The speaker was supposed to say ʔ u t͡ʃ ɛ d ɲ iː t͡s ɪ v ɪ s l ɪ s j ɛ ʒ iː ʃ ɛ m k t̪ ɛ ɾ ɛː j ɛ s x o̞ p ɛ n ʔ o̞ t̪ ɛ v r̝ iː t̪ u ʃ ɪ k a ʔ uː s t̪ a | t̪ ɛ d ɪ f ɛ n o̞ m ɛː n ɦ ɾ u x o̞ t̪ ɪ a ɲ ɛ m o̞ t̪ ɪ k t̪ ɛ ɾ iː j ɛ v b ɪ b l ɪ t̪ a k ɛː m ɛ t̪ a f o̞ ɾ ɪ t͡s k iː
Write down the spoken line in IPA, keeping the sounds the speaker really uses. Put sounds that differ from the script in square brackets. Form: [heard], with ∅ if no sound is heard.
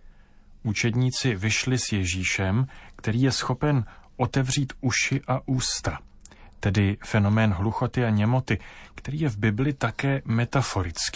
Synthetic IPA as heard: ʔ u t͡ʃ ɛ d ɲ iː t͡s ɪ v ɪ [ʃ] l ɪ s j ɛ ʒ iː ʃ ɛ m k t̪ ɛ ɾ [iː] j ɛ s x o̞ p ɛ n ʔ o̞ t̪ ɛ v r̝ iː t̪ u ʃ ɪ [ʔ] a ʔ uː s t̪ a | t̪ ɛ d ɪ f ɛ n o̞ m ɛː n ɦ [l] u x o̞ t̪ ɪ a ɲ ɛ m o̞ t̪ ɪ k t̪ ɛ ɾ iː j ɛ v b ɪ b l ɪ t̪ a k ɛː m ɛ t̪ a f o̞ ɾ ɪ t͡s k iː